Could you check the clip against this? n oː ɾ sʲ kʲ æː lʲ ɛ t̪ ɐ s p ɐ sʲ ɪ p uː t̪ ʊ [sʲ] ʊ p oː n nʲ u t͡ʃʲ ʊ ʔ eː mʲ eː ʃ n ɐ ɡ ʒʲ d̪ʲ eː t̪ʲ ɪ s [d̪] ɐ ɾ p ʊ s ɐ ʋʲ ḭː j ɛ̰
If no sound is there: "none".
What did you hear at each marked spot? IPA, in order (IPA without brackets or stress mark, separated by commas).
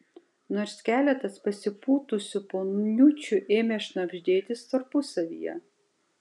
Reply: sʲ, t̪